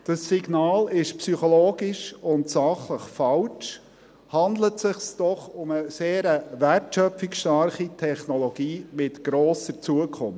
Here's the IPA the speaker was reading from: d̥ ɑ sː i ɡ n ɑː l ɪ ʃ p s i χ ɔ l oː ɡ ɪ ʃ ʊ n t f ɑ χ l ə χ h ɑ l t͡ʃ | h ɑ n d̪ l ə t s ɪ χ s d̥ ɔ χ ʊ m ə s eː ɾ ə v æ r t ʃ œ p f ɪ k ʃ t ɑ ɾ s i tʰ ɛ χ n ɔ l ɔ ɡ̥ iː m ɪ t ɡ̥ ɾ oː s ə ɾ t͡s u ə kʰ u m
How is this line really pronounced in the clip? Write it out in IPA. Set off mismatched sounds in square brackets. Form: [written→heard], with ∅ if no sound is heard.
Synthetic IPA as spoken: d̥ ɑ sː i ɡ n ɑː l ɪ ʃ p s [i→y] χ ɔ l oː ɡ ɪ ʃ ʊ n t [f→s] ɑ χ l ə χ [h→f] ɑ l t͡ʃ | h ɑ n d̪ l ə t s ɪ χ s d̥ ɔ χ ʊ m ə s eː ɾ ə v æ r t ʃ œ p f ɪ k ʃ t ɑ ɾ [s→χ] i tʰ ɛ χ n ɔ l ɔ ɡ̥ iː m ɪ t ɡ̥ ɾ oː s ə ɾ t͡s u ə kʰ [u→ʊ] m